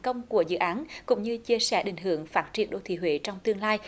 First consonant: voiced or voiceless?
voiceless